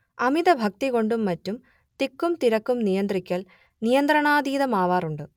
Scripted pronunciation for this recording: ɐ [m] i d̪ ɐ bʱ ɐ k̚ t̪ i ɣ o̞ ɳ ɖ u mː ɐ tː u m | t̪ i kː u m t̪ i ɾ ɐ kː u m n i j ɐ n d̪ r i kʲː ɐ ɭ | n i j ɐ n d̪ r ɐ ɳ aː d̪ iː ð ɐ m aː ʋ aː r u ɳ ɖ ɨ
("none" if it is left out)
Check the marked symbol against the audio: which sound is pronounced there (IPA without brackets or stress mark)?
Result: m